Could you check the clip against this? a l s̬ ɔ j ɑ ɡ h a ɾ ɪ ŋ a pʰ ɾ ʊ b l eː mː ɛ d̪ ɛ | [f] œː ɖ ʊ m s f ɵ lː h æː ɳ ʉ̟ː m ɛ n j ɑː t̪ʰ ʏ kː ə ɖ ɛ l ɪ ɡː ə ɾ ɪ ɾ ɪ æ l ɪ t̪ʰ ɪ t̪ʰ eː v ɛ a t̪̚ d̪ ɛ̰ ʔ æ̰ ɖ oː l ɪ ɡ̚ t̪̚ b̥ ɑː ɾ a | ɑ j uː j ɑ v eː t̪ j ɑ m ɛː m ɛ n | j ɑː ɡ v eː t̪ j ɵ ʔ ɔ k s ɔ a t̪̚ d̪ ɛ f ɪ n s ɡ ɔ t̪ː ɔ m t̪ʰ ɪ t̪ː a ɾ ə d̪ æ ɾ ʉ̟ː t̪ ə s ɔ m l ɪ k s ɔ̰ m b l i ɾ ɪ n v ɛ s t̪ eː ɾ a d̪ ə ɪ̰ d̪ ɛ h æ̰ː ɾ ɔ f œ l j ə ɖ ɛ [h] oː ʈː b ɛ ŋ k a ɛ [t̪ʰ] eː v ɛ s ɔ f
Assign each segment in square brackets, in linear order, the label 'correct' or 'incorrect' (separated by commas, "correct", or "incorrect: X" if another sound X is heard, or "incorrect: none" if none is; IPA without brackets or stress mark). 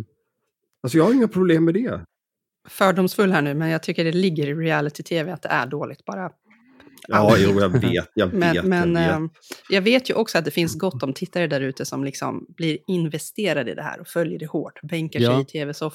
correct, correct, correct